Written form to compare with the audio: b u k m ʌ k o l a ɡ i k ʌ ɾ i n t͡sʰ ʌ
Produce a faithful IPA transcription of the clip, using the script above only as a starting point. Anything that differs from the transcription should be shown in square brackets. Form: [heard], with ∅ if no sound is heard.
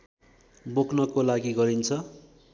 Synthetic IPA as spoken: b [o] k [n] ʌ k o l a ɡ i [ɡ] ʌ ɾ i n t͡sʰ ʌ